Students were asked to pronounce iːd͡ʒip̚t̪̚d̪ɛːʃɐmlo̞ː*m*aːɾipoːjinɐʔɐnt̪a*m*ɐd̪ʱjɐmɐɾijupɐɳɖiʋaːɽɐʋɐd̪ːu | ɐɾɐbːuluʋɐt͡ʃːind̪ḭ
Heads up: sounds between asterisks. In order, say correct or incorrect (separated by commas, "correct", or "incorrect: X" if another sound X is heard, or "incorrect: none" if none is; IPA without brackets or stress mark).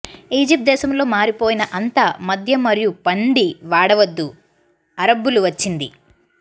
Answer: correct, correct